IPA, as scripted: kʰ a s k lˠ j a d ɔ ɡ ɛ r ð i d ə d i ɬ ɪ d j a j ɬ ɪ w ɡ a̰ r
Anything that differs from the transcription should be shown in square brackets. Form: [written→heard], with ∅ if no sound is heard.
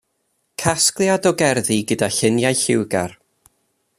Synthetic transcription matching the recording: kʰ a s k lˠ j a d ɔ ɡ ɛ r ð i [d→ɡ] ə d [i→a] ɬ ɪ [d→n] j a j ɬ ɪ w ɡ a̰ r

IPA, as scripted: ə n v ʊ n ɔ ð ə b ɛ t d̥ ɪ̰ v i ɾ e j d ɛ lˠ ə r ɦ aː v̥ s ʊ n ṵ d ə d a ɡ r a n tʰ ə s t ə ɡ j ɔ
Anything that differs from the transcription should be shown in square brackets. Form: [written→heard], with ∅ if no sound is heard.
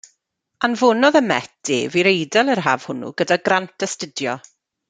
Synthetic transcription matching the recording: [ə→a] n v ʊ n ɔ ð ə [b→m] ɛ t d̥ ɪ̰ v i ɾ e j d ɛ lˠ ə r ɦ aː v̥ [s→h] ʊ n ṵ [d→ɡ] ə d a ɡ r a n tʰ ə s t ə [ɡ→d] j ɔ

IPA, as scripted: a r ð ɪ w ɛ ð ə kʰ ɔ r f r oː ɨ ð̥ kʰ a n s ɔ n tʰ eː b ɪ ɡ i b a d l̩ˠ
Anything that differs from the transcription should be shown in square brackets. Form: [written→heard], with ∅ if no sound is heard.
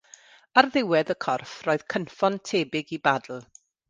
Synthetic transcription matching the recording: a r ð ɪ w ɛ ð ə kʰ ɔ r f r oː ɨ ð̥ kʰ [a→ə] n [s→f] ɔ n tʰ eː b ɪ ɡ i b a d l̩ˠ

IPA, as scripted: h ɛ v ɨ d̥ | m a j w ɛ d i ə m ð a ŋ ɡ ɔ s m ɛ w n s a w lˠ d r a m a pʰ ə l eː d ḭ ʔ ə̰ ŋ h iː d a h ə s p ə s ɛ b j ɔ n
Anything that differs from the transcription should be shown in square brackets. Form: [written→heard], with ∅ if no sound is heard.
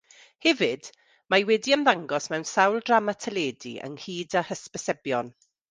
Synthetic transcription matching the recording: h ɛ v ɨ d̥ | m a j w ɛ d i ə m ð a ŋ ɡ ɔ s m ɛ w n s a w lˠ d r a m a [pʰ→tʰ] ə l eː d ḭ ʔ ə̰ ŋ h iː d a h ə s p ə s ɛ b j ɔ n

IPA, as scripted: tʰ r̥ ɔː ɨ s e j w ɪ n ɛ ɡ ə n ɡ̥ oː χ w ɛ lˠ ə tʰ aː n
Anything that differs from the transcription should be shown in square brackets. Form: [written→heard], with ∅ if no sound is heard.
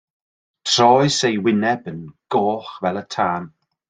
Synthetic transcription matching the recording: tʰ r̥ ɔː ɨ s e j w ɪ n ɛ [ɡ→b] ə n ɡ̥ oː χ [w→v] ɛ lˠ ə tʰ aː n

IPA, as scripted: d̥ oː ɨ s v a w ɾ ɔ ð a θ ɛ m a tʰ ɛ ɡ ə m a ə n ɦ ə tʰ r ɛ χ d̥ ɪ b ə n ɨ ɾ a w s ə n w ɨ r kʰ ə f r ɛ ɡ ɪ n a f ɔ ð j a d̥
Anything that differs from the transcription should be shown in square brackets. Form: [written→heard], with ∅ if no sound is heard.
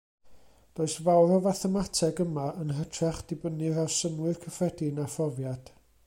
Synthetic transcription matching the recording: d̥ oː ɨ s v a w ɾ ɔ [ð→v] a θ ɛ m a tʰ ɛ ɡ ə m a ə n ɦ ə tʰ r ɛ χ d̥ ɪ b ə n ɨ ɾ a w s ə n w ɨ r kʰ ə f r ɛ [ɡ→d] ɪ n a f ɔ [ð→v] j a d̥

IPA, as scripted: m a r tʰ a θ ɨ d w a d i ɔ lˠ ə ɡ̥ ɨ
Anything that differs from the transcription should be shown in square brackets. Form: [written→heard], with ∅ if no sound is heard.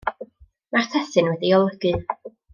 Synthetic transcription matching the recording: m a r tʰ [a→ɛ] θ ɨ [d→n] w [a→ɛ] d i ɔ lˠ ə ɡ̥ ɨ

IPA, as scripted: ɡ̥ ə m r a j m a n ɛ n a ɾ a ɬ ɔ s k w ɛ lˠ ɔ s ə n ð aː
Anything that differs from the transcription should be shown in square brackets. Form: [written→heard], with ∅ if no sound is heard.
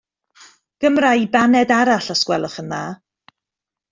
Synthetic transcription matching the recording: ɡ̥ ə m r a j [m→b] a n ɛ [n→d] a ɾ a ɬ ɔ s k w ɛ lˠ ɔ [s→χ] ə n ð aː

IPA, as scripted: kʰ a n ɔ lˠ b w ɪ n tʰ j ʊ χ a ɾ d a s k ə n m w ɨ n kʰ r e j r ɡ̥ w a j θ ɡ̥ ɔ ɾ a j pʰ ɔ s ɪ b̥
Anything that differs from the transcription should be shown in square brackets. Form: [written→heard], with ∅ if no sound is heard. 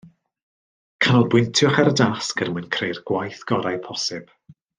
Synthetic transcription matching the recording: kʰ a n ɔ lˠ b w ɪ n tʰ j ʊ χ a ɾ d a s k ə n m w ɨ n kʰ r e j r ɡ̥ w a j θ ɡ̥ ɔ ɾ a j pʰ ɔ s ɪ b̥

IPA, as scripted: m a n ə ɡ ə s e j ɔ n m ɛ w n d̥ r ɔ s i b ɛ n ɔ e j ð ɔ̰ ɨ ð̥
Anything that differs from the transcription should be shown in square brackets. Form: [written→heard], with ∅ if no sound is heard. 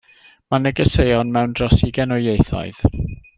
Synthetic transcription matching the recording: m a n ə ɡ ə s e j ɔ n m ɛ w n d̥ r ɔ s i [b→ɡ] ɛ n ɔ e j [ð→θ] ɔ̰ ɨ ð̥

